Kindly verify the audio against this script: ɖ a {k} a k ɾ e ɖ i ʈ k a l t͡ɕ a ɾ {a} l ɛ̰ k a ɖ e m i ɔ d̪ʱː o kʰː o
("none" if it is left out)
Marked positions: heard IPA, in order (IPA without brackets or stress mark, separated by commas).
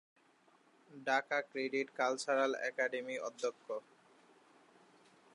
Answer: k, a